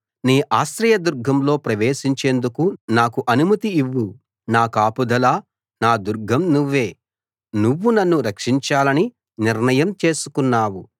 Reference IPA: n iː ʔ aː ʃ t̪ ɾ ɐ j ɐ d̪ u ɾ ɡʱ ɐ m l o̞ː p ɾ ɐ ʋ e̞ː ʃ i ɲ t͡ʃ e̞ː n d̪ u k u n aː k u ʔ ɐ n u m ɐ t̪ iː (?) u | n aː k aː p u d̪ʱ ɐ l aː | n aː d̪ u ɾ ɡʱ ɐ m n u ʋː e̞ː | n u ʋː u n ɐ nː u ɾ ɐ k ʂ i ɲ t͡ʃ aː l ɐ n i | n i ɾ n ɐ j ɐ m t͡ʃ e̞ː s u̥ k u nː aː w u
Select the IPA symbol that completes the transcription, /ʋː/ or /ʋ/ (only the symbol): ʋː